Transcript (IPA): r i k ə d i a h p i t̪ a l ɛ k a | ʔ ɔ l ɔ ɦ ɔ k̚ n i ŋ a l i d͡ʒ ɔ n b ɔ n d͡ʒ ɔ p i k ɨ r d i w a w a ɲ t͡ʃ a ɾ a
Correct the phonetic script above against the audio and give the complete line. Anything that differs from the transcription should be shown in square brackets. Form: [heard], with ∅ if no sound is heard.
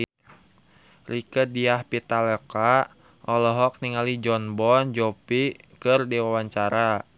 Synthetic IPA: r i k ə d i a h p i t̪ a l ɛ k a | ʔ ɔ l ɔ ɦ ɔ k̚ n i ŋ a l i d͡ʒ ɔ n b ɔ n d͡ʒ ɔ p i k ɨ r d i w a w a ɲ t͡ʃ a ɾ a